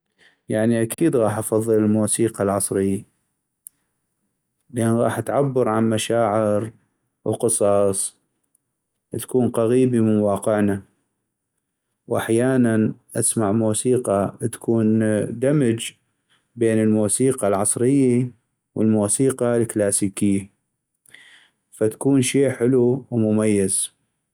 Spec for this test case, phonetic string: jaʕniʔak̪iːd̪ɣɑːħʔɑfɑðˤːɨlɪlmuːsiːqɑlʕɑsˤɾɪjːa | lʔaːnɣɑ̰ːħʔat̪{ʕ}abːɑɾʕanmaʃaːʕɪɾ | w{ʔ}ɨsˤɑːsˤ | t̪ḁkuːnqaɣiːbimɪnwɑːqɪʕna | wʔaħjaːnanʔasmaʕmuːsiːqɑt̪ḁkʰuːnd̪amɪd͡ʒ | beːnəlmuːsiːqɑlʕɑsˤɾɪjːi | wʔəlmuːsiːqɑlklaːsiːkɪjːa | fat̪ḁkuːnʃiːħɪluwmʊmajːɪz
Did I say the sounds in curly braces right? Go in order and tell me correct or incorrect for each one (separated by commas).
correct, incorrect